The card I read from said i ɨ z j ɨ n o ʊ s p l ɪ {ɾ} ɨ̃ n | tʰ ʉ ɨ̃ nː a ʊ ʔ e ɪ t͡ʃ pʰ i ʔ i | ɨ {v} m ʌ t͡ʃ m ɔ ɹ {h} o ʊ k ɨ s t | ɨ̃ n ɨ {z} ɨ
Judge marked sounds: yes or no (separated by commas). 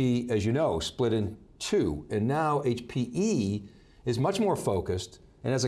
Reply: yes, no, no, yes